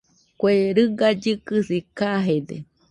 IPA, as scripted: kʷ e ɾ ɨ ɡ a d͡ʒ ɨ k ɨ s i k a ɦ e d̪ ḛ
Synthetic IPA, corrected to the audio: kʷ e ɾ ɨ ɡ a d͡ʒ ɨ k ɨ s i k a ɦ e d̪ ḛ